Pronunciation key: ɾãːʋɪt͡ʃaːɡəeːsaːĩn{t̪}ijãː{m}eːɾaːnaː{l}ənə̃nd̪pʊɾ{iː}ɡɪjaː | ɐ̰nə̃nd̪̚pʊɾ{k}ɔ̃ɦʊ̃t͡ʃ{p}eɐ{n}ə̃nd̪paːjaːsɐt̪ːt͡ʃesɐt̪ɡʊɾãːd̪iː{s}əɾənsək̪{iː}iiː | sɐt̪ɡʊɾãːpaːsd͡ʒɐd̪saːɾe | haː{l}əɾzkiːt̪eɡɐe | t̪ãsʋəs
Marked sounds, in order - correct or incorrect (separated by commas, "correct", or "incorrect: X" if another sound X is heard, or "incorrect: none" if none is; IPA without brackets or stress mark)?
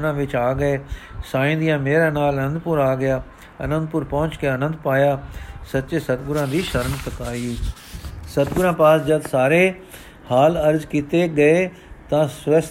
incorrect: d̪, correct, correct, incorrect: aː, incorrect: p, incorrect: k, correct, incorrect: ʃ, incorrect: aː, correct